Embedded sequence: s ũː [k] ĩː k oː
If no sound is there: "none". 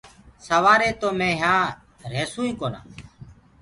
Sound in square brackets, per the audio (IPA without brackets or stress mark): none